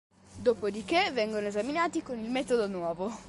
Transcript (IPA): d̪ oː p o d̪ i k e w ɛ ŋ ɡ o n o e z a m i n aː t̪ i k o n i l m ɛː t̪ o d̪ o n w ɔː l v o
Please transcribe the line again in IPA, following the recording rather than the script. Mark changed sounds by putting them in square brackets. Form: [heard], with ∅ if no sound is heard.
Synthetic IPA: d̪ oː p o d̪ i k e [v] ɛ ŋ ɡ o n o e z a m i n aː t̪ i k o n i l m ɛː t̪ o d̪ o n w ɔː [∅] v o